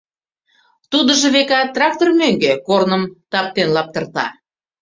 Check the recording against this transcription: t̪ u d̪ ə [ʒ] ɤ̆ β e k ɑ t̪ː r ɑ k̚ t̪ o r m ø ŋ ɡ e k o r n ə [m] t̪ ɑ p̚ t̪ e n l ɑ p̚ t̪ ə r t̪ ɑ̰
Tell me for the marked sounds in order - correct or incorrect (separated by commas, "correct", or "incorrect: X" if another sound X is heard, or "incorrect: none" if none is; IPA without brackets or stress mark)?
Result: correct, correct